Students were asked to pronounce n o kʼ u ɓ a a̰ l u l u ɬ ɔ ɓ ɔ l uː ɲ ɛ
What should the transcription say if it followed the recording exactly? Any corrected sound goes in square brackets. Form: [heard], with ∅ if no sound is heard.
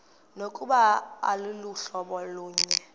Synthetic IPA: n o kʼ u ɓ a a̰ l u l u ɬ ɔ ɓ ɔ l uː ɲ ɛ